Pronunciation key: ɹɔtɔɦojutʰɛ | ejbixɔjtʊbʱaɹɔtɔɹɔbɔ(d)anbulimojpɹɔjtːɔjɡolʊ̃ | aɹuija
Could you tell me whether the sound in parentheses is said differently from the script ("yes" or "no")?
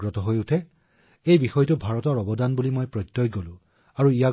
no